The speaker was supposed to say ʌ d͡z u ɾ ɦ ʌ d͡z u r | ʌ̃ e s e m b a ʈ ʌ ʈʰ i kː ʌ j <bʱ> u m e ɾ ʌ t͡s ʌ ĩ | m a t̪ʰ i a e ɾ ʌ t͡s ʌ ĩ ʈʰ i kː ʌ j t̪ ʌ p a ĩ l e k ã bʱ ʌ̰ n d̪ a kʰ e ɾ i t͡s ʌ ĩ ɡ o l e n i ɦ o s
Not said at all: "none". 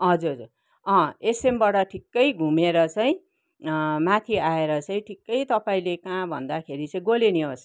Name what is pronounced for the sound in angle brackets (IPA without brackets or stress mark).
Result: ɡʱ